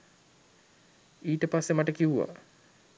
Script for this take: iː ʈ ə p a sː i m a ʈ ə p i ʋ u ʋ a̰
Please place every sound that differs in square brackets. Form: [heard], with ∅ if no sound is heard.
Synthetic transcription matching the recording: iː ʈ ə p a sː [e] m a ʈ ə [k] i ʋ u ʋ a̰

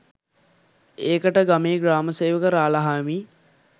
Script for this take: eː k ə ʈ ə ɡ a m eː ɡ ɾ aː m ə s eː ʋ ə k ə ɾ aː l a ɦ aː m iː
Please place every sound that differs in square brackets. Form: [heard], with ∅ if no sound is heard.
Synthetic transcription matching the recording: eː k ə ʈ ə ɡ a m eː ɡ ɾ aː m ə s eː ʋ ə k ə ɾ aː l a ɦ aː m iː

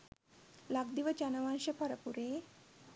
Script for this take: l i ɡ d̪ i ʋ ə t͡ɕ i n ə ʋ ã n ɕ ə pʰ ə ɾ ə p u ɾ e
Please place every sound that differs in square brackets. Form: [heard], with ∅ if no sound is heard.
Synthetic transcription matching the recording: l [a] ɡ d̪ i ʋ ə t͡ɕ [a] n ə ʋ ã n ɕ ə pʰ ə ɾ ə p u ɾ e

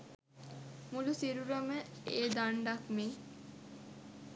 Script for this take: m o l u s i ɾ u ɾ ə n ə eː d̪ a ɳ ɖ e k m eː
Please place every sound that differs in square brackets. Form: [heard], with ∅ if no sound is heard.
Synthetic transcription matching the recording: m [u] l u s i ɾ u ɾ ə [m] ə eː d̪ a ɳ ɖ [a] k m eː

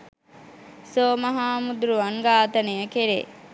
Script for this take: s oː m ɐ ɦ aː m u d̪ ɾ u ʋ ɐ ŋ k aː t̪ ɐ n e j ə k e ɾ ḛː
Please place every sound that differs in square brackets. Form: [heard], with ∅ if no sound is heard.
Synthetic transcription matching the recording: s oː m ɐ ɦ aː m u d̪ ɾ u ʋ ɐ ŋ [ɡ] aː t̪ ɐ n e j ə k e ɾ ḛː

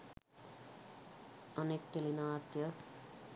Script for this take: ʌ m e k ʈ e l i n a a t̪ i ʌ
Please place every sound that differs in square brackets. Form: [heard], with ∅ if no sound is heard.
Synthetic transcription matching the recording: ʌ [n] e k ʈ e l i n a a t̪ [j] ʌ

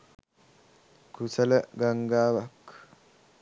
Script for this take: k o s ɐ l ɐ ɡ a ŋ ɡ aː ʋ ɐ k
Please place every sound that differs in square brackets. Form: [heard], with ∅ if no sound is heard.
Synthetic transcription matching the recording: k [u] s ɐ l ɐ ɡ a ŋ ɡ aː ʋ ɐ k

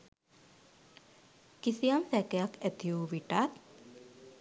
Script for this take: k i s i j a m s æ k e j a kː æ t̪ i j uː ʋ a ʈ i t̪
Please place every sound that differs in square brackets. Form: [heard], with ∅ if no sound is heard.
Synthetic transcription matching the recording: k i s i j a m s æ k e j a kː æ t̪ i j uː ʋ [i] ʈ [a] t̪

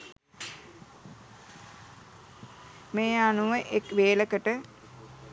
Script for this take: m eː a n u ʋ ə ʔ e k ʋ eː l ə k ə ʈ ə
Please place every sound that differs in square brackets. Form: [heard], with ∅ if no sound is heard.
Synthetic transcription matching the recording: m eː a n u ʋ ə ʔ e k ʋ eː l ə k ə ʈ ə

